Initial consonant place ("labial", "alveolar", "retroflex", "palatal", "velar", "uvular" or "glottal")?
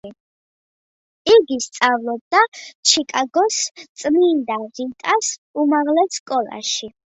velar